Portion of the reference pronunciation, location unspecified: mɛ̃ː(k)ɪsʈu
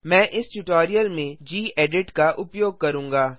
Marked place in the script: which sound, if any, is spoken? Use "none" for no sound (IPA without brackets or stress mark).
ʔ